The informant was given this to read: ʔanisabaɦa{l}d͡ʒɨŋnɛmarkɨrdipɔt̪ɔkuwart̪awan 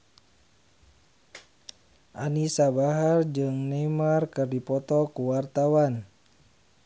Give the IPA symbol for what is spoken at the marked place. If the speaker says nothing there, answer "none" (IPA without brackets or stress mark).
r